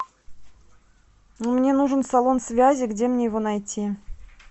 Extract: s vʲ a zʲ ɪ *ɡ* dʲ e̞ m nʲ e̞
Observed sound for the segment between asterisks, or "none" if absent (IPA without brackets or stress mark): ɡ